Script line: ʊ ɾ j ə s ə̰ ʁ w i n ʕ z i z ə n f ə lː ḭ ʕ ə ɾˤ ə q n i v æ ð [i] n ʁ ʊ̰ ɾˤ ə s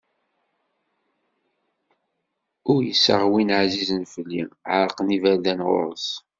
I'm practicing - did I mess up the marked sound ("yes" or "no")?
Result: yes